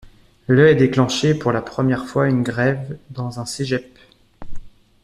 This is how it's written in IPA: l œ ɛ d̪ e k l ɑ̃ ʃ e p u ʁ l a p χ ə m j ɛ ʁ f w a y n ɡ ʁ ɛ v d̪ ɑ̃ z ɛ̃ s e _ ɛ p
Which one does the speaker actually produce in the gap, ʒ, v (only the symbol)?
ʒ